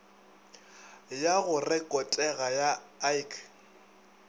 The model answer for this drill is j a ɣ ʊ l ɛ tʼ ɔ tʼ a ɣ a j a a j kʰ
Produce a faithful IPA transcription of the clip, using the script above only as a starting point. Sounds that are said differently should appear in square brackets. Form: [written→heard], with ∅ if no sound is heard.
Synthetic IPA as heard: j a ɣ ʊ [l→r] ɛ [tʼ→kʼ] ɔ tʼ [a→ɛ] ɣ a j a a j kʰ